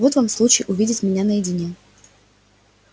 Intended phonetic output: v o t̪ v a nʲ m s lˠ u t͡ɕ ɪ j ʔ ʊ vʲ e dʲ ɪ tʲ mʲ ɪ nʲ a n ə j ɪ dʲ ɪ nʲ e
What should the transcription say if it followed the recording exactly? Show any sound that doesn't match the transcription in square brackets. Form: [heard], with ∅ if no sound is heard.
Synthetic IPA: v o t̪ v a [∅] m s lˠ u t͡ɕ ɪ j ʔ ʊ vʲ [i] dʲ ɪ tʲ mʲ ɪ nʲ a n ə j ɪ dʲ ɪ nʲ e